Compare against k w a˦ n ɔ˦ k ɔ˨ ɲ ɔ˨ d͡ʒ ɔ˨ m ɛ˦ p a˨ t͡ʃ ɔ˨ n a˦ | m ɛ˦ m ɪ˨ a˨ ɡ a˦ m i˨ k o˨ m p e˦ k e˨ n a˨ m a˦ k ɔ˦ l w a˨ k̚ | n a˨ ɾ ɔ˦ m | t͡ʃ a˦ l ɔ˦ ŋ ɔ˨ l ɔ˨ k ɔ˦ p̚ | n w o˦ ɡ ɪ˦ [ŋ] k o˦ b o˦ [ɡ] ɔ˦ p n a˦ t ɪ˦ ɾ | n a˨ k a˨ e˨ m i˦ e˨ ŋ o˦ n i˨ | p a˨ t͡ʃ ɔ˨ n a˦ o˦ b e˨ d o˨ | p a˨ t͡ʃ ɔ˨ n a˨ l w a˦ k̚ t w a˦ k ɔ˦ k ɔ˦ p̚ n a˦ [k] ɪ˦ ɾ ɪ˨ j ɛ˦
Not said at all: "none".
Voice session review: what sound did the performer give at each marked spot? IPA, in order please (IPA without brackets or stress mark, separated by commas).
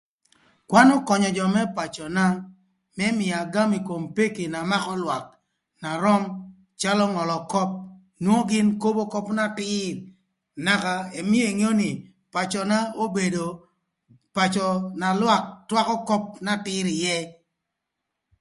n, k, t